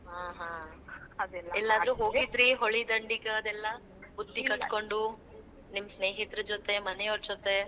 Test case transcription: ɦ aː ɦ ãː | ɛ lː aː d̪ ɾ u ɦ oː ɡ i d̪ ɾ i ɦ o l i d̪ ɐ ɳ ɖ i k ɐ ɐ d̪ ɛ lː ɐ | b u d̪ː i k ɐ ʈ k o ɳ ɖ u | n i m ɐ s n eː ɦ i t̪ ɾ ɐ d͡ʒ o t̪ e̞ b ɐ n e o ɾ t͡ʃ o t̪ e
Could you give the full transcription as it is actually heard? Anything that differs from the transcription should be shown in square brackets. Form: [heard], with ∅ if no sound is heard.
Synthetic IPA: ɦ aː ɦ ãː | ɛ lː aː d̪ ɾ u ɦ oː ɡ i d̪ ɾ i ɦ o [ɭ] i d̪ ɐ ɳ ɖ i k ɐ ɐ d̪ ɛ lː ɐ | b u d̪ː i k ɐ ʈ k o ɳ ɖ u | n i m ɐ s n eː ɦ i t̪ ɾ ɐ d͡ʒ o t̪ e̞ [m] ɐ n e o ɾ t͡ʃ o t̪ e